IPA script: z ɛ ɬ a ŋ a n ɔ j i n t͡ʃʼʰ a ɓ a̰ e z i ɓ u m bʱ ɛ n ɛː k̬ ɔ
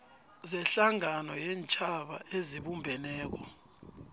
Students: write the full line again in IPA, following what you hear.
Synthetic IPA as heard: z ɛ ɬ a ŋ a n ɔ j ɛ n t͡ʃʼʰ a ɓ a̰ e z i ɓ u m bʱ ɛ n ɛː k̬ ɔ